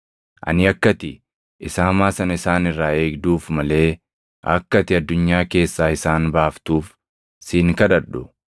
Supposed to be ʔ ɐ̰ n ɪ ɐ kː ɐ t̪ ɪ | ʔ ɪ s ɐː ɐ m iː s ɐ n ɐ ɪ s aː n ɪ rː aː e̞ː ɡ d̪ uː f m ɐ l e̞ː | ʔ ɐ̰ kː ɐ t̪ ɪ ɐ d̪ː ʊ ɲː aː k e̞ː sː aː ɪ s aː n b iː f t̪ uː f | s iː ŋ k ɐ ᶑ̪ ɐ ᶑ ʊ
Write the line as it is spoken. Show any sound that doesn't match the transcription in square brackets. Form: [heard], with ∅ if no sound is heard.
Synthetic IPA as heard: ʔ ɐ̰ n ɪ ɐ kː ɐ t̪ ɪ | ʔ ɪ s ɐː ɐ m [aː] s ɐ n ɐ ɪ s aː n ɪ rː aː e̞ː ɡ d̪ uː f m ɐ l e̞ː | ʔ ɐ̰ kː ɐ t̪ ɪ ɐ d̪ː ʊ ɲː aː k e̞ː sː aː ɪ s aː n b [aː] f t̪ uː f | s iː ŋ k ɐ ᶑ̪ ɐ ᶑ ʊ